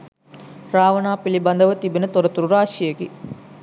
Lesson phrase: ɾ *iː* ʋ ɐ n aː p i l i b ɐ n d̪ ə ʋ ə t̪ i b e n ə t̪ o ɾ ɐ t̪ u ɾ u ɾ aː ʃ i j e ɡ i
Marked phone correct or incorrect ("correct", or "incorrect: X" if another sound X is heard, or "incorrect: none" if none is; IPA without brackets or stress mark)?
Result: incorrect: aː